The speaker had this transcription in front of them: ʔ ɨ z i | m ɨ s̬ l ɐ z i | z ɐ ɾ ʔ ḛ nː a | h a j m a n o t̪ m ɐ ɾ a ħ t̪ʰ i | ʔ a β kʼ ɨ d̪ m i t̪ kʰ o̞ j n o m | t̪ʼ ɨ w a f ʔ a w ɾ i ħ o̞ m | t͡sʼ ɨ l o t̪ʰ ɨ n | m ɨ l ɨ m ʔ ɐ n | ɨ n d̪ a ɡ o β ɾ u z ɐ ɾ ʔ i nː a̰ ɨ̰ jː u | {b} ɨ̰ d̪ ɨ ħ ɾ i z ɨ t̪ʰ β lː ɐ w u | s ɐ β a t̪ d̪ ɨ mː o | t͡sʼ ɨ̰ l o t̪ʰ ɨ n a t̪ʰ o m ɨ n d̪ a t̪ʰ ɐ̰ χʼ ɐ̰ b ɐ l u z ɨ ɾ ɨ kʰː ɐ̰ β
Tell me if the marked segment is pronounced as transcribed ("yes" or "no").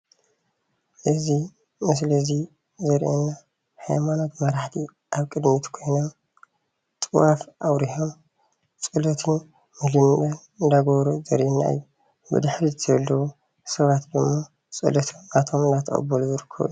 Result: yes